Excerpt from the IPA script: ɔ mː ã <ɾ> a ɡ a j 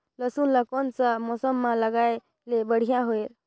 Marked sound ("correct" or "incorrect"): incorrect